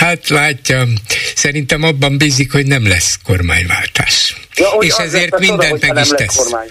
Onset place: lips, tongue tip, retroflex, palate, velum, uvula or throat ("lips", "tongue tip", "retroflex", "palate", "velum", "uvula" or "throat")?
throat